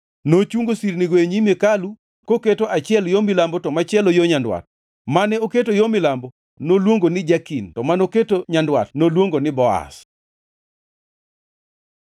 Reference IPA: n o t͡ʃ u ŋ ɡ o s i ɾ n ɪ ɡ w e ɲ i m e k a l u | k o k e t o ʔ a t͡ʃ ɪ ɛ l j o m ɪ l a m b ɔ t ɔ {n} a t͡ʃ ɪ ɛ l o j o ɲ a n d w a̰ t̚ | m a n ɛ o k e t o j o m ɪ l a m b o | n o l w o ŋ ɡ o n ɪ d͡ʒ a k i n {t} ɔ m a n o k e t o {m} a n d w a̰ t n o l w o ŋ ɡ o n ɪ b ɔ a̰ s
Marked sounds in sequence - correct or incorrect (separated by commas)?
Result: incorrect, correct, incorrect